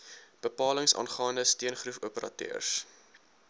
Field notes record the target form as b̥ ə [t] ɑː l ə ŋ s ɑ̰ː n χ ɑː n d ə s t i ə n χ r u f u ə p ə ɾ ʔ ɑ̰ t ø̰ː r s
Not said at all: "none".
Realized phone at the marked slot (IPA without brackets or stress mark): p